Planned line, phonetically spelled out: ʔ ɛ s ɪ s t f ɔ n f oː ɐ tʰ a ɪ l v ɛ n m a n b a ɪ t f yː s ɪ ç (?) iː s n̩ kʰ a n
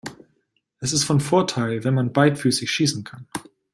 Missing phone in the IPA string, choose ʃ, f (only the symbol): ʃ